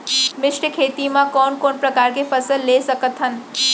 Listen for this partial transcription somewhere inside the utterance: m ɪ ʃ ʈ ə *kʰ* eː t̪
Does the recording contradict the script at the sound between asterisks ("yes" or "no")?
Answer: no